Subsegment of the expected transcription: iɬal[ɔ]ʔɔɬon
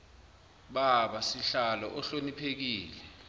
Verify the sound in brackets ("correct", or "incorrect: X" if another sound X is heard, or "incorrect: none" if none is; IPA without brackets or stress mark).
correct